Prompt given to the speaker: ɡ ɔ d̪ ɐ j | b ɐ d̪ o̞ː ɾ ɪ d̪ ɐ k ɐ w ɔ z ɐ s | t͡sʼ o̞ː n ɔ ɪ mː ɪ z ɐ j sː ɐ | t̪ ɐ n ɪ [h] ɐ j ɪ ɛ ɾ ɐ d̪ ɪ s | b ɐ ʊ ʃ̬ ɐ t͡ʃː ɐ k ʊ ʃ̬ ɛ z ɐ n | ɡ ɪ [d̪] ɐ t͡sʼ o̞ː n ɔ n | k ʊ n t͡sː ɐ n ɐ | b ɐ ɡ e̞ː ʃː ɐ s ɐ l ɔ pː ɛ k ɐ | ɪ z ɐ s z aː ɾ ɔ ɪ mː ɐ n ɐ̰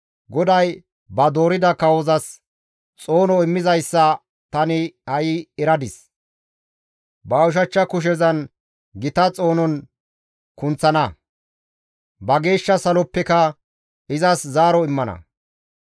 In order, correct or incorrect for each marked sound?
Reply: correct, incorrect

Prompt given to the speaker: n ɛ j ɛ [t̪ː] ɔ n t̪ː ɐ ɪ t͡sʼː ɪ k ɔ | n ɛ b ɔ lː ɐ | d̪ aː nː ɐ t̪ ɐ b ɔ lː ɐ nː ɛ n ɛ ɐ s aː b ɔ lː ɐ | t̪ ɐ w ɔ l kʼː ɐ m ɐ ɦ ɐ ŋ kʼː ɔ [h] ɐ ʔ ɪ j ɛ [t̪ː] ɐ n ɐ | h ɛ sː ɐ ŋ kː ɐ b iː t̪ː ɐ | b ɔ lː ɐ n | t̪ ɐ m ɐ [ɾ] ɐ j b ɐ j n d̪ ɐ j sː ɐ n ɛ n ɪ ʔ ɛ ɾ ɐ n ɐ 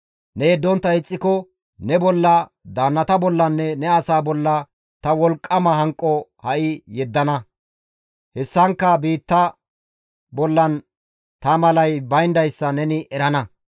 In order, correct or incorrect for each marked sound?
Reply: incorrect, correct, incorrect, incorrect

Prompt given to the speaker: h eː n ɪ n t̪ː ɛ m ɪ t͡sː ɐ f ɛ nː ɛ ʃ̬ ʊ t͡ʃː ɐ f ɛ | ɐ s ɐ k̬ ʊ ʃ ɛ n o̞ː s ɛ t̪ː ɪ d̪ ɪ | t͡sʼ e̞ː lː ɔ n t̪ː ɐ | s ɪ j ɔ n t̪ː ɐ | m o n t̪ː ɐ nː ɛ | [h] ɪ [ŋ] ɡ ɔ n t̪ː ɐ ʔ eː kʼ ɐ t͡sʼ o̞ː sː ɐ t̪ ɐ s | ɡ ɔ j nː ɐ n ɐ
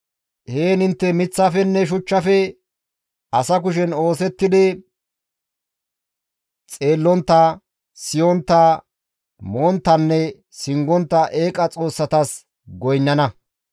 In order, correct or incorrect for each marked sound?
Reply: incorrect, correct

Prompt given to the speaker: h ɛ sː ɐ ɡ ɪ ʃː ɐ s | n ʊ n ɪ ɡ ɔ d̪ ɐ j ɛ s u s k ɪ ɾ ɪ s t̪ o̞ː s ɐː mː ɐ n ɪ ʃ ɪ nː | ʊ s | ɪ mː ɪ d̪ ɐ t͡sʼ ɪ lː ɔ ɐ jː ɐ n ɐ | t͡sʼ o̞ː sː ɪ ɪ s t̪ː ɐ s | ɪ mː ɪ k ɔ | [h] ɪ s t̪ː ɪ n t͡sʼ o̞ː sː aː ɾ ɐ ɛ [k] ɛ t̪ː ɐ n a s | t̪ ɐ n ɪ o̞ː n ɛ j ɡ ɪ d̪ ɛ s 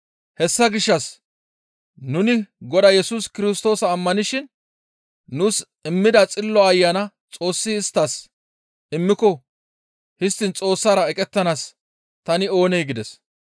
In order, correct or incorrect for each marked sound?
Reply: correct, incorrect

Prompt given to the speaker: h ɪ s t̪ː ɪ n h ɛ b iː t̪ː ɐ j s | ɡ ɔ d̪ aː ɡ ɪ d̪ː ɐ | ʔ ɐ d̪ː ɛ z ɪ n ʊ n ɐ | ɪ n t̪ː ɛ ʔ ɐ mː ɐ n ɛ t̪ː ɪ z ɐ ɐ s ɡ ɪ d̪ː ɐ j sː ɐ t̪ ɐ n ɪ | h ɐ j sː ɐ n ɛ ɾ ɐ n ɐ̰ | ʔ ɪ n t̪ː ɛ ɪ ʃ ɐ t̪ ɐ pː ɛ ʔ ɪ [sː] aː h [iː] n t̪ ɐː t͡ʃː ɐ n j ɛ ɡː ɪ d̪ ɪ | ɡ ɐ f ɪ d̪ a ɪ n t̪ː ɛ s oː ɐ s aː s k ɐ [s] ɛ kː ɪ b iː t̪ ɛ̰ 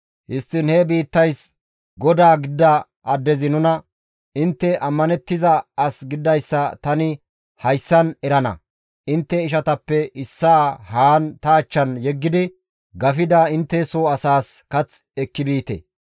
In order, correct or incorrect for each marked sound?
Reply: correct, incorrect, incorrect

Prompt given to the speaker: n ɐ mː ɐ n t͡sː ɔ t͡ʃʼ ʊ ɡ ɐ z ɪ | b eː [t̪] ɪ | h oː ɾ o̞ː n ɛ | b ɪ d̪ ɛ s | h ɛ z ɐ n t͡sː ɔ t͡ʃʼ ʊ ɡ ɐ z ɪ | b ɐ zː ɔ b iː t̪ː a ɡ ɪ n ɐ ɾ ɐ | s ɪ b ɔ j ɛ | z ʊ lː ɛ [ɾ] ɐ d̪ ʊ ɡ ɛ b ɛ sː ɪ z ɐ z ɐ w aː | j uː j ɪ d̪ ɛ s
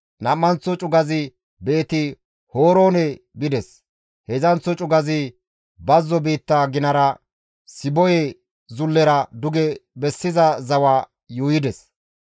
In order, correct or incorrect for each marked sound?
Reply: correct, correct

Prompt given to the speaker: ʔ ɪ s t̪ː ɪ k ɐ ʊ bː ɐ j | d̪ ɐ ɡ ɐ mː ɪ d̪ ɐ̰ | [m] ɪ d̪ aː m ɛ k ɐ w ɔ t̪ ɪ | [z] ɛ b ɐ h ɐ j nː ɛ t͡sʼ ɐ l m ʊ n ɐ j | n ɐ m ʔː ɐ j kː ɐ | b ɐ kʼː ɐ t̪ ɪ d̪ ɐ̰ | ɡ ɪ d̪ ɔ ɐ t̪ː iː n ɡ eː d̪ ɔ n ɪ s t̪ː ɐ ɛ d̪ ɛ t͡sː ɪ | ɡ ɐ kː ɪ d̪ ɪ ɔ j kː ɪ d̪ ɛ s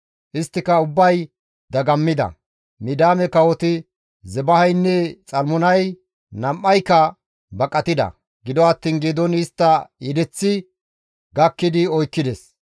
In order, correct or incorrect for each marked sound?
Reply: correct, correct

